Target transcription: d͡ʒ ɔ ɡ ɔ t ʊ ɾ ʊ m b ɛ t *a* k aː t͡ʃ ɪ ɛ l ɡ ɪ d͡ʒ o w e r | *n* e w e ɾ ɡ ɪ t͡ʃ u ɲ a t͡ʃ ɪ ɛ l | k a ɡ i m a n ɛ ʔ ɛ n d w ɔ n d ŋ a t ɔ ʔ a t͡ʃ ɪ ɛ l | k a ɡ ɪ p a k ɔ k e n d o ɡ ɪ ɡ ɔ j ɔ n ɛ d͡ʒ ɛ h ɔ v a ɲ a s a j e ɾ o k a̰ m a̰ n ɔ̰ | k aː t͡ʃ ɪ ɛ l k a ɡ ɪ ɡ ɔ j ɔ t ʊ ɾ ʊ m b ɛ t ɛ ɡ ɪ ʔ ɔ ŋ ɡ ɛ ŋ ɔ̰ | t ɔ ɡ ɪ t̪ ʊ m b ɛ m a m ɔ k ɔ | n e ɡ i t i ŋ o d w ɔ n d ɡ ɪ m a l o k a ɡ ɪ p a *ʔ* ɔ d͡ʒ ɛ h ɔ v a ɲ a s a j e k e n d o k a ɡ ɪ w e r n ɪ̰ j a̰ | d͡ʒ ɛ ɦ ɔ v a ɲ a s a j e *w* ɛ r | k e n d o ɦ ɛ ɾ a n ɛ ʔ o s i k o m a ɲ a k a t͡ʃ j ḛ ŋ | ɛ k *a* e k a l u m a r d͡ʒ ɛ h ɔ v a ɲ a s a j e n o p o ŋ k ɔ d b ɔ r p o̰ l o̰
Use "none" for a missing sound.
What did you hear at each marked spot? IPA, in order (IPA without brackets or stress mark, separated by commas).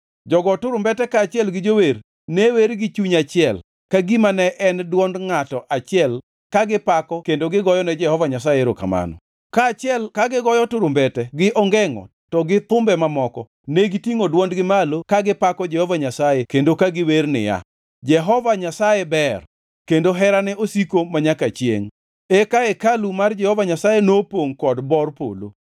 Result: ɛ, n, k, b, a